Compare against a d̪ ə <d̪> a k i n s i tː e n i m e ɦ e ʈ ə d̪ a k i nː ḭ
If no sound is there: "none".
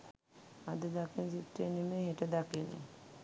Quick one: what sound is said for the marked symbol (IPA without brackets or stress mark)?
d̪